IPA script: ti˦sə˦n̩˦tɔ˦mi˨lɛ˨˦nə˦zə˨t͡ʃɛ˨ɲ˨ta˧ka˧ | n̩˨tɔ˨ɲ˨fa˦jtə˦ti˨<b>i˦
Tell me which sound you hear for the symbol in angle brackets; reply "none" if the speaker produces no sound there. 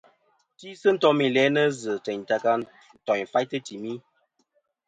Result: m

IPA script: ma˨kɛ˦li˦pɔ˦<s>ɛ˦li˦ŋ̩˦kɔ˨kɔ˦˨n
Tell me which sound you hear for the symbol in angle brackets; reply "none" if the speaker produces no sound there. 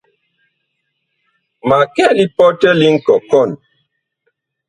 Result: t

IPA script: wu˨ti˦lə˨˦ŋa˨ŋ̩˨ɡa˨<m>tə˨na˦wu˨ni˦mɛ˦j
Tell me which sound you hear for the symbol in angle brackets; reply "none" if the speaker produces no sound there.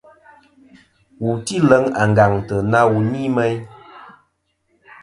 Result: ŋ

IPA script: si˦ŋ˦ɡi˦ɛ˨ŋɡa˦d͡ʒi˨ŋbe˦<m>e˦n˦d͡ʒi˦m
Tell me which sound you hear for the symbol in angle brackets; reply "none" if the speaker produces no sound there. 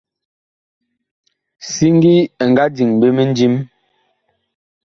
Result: m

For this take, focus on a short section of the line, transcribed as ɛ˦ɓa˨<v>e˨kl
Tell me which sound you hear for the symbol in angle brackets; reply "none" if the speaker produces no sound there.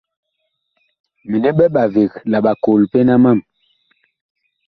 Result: v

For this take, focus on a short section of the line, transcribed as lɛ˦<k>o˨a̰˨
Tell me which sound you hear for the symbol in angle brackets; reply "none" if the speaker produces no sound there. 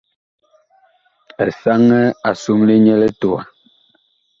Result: t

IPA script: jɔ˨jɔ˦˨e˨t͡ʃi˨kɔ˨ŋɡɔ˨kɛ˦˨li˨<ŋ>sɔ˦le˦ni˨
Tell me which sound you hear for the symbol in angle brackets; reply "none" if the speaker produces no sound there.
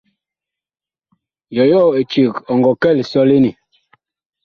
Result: none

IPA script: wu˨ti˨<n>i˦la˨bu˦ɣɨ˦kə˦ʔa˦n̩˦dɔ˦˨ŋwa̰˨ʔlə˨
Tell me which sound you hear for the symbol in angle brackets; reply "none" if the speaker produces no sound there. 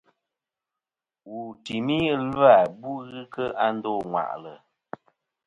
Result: m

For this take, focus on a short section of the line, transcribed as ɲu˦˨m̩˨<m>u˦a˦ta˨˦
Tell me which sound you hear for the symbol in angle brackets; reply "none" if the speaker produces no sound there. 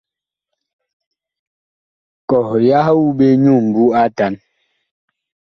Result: b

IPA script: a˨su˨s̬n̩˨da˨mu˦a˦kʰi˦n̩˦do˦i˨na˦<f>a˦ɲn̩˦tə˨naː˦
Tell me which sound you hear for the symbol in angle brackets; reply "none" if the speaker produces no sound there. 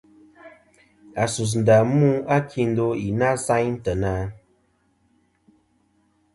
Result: s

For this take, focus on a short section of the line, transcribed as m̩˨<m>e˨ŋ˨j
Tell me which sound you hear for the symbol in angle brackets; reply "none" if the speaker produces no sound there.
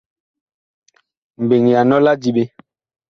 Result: b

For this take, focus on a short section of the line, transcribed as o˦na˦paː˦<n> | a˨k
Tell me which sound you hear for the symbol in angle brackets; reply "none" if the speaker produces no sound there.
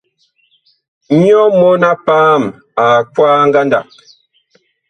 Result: m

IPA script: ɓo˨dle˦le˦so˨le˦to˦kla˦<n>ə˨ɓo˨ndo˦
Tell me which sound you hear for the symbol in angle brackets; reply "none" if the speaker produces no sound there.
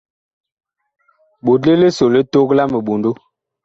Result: m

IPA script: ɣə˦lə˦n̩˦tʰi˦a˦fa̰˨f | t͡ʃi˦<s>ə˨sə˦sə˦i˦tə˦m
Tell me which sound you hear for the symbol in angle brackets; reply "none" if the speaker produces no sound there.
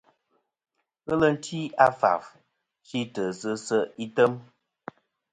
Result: t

